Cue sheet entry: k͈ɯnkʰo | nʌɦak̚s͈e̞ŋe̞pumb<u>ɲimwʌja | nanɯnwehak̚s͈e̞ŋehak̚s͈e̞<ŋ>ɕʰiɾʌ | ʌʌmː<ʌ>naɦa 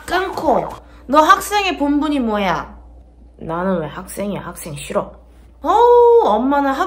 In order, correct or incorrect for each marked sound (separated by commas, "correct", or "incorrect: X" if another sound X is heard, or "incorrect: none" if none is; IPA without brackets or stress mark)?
correct, correct, incorrect: a